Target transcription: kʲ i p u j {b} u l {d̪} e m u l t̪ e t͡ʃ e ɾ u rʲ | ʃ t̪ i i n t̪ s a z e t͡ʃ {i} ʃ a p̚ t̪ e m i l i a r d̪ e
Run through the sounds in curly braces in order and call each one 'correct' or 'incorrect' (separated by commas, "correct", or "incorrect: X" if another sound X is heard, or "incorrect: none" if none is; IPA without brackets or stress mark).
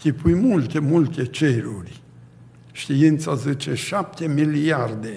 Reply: incorrect: m, incorrect: t̪, incorrect: e